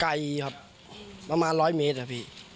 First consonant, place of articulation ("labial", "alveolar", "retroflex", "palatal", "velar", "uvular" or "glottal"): velar